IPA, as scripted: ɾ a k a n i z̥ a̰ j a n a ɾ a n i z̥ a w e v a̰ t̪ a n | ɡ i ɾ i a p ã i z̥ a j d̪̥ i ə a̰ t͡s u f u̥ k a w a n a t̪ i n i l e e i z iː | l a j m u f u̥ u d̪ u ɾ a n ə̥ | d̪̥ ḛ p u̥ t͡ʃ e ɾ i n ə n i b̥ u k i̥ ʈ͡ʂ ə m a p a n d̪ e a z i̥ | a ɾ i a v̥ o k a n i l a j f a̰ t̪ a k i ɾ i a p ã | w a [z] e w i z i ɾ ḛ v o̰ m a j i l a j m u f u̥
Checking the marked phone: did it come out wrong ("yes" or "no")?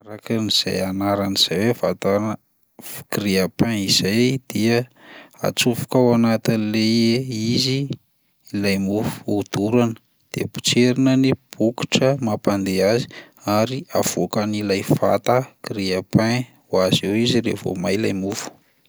no